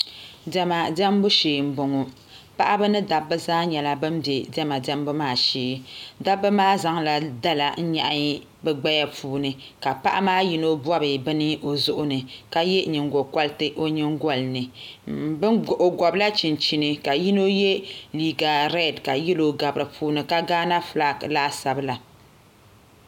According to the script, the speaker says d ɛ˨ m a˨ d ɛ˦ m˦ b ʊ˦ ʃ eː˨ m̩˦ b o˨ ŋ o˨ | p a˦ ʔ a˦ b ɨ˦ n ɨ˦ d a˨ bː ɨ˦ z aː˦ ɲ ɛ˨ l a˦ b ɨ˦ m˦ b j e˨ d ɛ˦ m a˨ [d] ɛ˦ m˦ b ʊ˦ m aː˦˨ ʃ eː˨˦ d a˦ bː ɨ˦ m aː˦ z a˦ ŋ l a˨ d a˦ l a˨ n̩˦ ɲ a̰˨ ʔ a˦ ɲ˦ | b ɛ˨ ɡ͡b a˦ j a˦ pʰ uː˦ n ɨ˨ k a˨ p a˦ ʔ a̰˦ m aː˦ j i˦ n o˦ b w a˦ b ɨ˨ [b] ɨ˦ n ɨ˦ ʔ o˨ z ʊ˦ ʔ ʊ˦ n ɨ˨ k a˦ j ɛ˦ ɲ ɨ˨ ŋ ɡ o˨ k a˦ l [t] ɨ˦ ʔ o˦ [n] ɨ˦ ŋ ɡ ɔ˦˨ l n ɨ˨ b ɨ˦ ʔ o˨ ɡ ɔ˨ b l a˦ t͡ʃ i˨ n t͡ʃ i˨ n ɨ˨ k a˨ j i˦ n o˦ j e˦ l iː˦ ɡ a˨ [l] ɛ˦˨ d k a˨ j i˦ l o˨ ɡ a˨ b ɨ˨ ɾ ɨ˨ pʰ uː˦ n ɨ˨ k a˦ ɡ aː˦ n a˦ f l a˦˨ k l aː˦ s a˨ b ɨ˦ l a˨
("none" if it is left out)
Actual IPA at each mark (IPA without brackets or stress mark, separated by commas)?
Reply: d, b, t, ɲ, ɾ